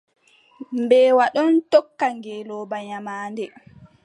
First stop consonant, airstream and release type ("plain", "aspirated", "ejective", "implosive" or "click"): plain